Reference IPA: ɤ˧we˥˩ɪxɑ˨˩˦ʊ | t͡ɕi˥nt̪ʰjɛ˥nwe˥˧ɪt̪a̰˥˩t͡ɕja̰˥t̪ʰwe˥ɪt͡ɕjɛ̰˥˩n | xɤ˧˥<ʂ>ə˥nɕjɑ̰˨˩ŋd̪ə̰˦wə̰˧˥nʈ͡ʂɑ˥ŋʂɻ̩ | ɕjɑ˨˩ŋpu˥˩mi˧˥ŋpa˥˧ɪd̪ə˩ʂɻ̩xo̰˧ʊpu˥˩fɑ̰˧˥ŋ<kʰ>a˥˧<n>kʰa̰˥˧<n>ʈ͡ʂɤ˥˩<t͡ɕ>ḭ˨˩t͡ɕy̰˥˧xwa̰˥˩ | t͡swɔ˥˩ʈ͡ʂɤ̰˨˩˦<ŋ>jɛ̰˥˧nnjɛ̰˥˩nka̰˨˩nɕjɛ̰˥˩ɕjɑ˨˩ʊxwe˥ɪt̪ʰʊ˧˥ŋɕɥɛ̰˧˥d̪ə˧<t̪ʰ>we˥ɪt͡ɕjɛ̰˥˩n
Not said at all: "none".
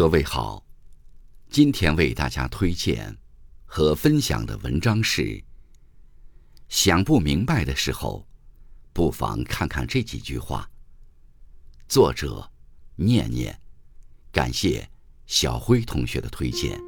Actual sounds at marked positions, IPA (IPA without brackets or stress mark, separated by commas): f, kʰ, n, n, t͡ɕ, n, t̪ʰ